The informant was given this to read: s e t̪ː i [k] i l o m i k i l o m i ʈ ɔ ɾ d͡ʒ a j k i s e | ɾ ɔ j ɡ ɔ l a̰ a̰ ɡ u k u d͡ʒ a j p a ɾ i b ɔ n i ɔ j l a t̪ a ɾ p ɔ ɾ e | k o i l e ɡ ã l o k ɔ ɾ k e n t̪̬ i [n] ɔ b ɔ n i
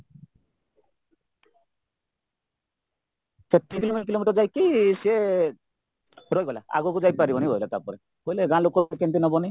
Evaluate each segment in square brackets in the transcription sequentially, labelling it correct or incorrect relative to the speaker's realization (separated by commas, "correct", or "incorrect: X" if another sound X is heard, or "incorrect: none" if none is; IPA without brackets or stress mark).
correct, correct